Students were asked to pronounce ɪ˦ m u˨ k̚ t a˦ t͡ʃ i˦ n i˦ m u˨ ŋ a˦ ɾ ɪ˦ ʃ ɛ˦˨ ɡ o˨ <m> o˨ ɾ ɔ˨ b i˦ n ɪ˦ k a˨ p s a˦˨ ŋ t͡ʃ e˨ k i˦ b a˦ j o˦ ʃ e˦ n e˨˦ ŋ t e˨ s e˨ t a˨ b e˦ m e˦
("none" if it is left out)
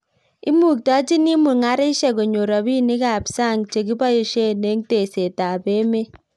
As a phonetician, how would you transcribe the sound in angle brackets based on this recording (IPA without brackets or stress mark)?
ɲ